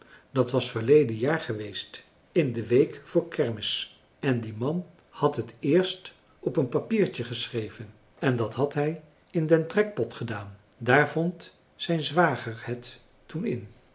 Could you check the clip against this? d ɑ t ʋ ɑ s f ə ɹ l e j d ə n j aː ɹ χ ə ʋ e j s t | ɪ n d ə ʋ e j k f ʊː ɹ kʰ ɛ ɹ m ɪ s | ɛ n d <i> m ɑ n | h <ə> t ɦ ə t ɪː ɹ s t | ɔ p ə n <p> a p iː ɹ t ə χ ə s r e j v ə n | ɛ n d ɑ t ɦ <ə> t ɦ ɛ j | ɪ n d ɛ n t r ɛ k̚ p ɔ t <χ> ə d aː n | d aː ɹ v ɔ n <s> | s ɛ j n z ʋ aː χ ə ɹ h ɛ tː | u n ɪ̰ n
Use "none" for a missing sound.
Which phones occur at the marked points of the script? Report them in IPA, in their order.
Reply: i, ɑ, p, ɑ, χ, t

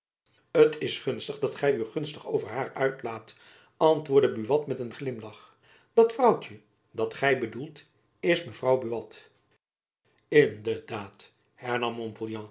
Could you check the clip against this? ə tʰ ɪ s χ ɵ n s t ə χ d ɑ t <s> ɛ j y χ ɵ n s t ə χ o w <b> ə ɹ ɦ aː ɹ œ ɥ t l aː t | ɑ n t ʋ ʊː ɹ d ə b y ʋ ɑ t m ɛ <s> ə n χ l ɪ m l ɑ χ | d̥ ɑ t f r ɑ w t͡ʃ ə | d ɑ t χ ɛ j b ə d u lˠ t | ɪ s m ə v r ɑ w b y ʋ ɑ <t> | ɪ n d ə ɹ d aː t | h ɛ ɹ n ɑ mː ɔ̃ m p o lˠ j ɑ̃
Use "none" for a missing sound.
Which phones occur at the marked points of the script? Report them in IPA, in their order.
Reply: χ, v, t, t

